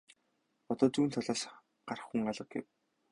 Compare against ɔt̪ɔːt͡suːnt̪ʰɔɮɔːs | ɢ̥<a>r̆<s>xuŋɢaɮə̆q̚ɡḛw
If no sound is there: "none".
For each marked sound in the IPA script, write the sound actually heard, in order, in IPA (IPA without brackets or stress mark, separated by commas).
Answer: a, χ